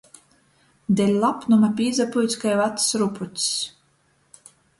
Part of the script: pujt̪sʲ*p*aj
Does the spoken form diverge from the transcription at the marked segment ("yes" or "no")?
yes